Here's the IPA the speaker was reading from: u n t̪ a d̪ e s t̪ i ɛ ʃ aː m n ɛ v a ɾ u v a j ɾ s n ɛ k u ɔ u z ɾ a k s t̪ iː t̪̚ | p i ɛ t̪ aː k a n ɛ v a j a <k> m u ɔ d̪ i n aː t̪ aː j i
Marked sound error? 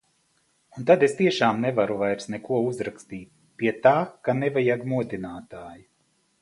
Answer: yes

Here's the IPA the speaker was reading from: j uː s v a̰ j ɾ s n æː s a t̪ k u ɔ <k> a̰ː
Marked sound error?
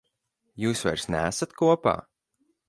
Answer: yes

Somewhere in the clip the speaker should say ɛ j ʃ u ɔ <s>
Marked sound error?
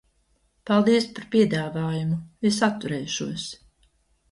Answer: no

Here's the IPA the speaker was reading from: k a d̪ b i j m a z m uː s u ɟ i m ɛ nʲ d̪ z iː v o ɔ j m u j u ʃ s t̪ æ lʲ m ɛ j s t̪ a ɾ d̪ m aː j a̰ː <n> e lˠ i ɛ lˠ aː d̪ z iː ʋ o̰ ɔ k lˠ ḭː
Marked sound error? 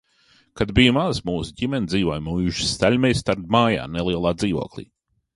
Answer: no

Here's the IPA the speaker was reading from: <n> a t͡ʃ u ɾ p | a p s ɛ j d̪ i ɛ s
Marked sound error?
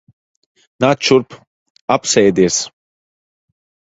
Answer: no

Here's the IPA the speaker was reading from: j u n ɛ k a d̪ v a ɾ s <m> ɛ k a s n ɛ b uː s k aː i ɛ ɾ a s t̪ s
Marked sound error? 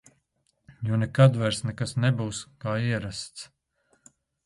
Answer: yes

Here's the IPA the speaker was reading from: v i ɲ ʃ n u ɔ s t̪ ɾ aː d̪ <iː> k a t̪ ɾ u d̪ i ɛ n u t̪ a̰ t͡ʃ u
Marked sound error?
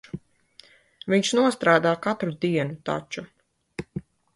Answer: yes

